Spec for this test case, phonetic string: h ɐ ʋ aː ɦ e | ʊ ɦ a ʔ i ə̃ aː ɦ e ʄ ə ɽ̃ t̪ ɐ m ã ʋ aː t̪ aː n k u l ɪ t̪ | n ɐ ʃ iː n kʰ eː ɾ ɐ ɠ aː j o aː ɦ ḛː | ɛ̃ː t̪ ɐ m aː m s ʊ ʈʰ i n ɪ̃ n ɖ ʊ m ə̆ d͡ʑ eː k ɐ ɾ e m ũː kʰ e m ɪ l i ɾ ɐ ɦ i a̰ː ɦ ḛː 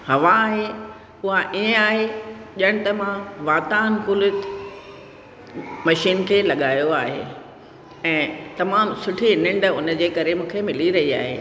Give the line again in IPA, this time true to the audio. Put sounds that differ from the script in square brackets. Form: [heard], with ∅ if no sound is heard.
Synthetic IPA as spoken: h ɐ ʋ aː ɦ e | ʊ ɦ a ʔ i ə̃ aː ɦ e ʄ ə ɽ̃ t̪ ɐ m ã ʋ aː t̪ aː n k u l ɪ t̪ | [m] ɐ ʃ iː n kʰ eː [l] ɐ ɠ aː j o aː ɦ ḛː | ɛ̃ː t̪ ɐ m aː m s ʊ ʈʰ i n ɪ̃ [ɳ] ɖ ʊ [n] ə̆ d͡ʑ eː k ɐ ɾ e m ũː kʰ e m ɪ l i ɾ ɐ ɦ i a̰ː ɦ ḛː